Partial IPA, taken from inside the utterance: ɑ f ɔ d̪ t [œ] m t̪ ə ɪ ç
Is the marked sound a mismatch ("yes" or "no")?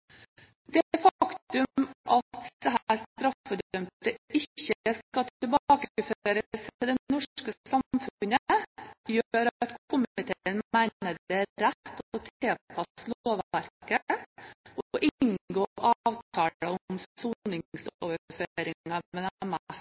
no